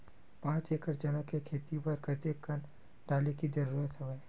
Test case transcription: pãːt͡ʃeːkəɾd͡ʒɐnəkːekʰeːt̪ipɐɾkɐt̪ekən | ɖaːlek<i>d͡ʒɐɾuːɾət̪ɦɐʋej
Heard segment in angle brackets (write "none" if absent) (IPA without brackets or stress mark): i